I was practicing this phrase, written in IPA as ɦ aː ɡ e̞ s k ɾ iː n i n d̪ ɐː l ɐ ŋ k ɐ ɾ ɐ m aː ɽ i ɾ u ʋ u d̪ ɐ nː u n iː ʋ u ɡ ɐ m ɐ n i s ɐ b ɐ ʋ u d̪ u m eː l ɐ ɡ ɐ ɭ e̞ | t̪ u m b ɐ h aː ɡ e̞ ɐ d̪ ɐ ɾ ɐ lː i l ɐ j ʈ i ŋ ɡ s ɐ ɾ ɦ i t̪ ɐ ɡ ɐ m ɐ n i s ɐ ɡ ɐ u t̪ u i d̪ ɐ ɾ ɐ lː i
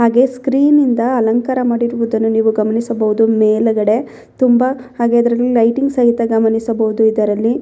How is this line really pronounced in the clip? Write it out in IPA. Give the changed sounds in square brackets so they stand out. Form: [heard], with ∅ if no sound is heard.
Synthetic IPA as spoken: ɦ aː ɡ e̞ s k ɾ iː n i n d̪ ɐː l ɐ ŋ k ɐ ɾ ɐ m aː ɽ i ɾ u ʋ u d̪ ɐ nː u n iː ʋ u ɡ ɐ m ɐ n i s ɐ b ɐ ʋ u d̪ u m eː l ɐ ɡ ɐ [ɽ] e̞ | t̪ u m b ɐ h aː ɡ e̞ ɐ d̪ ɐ ɾ ɐ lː i l ɐ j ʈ i ŋ ɡ s ɐ [∅] ɦ i t̪ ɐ ɡ ɐ m ɐ n i s ɐ [b] ɐ u [d̪] u i d̪ ɐ ɾ ɐ lː i